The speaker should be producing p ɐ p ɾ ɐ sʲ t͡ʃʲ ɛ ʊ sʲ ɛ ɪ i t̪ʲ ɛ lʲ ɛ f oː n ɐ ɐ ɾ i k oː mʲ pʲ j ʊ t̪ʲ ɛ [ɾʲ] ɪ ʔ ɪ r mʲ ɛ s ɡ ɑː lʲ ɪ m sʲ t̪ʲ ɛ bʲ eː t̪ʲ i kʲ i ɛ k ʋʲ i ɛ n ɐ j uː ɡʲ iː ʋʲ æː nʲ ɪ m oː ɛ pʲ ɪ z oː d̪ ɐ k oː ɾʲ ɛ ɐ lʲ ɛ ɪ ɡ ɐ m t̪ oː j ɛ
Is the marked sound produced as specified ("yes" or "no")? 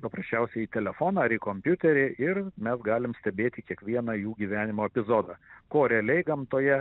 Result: yes